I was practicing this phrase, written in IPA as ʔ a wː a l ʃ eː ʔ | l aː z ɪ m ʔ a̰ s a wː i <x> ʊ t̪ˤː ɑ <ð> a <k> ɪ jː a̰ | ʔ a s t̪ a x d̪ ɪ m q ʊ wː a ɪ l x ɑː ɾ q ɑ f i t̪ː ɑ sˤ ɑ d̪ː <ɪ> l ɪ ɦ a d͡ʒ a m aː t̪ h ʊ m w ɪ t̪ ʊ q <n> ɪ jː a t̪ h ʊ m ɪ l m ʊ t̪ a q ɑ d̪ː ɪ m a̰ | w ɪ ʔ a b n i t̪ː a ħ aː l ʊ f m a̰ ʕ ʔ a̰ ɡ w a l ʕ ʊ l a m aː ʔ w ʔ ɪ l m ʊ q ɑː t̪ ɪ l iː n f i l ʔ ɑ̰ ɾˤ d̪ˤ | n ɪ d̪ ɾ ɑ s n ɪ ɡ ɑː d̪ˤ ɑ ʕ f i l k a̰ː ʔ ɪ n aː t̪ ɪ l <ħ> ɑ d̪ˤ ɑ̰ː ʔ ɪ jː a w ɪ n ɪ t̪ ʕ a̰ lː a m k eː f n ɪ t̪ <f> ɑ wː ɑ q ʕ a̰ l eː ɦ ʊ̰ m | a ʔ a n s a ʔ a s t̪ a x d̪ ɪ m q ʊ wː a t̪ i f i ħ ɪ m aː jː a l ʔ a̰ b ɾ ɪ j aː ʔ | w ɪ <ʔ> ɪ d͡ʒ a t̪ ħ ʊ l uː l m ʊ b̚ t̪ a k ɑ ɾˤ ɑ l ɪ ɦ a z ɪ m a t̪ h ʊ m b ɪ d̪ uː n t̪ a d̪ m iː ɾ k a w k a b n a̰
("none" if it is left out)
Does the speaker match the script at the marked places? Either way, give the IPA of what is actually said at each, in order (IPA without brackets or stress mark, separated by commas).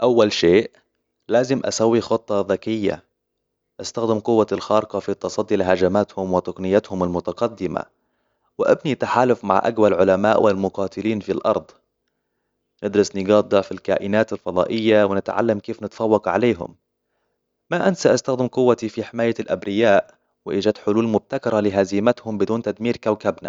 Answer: x, ð, k, i, n, f, f, ʔ